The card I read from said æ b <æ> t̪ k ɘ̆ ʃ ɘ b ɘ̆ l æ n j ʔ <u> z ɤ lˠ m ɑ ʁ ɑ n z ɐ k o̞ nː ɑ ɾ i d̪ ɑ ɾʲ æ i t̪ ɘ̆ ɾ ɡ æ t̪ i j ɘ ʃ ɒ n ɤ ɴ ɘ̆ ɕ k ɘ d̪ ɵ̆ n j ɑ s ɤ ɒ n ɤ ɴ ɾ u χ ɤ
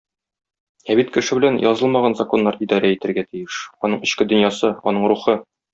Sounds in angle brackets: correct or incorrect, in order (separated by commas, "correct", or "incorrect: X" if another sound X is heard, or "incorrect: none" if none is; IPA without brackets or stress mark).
incorrect: i, incorrect: ɒ